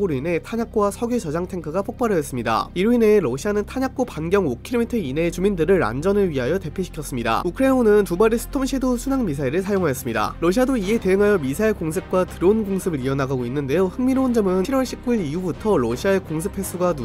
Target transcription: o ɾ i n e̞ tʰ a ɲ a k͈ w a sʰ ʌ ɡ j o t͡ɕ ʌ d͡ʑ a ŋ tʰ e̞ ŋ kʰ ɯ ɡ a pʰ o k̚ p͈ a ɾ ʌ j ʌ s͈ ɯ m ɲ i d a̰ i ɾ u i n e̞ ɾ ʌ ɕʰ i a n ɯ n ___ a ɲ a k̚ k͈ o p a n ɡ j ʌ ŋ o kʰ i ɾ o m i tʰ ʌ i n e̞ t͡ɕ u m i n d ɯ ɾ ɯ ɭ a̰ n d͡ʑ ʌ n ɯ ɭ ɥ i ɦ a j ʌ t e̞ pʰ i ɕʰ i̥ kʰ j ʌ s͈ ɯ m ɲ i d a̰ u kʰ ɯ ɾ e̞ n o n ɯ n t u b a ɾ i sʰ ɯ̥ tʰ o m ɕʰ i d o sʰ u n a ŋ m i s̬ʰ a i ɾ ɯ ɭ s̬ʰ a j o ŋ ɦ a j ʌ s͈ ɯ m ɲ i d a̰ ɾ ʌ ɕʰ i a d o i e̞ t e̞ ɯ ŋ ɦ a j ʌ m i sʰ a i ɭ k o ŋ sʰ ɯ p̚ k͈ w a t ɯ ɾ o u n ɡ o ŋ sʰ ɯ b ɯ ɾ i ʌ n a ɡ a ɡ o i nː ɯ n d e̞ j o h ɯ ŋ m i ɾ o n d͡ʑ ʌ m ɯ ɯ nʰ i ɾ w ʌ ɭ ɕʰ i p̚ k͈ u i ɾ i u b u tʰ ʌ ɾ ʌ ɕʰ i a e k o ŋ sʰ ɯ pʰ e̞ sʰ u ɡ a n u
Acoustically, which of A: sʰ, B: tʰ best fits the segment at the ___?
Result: B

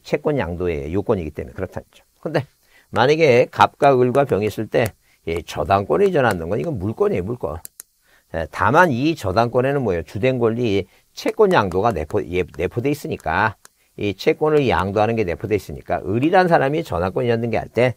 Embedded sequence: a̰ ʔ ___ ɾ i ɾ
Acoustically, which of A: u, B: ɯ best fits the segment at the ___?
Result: B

